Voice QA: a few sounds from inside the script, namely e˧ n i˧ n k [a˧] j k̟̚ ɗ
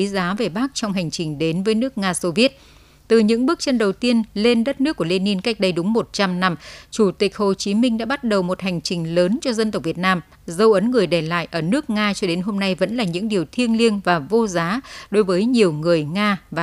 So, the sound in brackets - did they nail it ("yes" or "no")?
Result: no